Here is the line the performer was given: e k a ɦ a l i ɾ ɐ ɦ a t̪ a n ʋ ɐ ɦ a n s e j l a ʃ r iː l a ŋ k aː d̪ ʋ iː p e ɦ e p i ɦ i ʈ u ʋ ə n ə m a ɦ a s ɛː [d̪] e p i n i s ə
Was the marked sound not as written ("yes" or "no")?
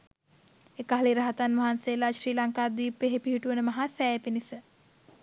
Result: yes